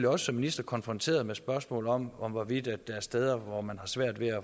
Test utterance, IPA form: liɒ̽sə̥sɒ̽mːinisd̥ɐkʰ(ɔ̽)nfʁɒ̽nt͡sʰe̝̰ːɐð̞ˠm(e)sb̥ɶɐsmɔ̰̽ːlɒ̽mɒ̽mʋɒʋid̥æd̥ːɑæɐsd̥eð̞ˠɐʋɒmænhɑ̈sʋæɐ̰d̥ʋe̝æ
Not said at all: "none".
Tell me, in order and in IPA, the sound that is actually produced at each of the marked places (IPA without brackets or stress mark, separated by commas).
ɒ̽, e